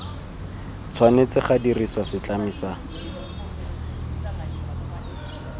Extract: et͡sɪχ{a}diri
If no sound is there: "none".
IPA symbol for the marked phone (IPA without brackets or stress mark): a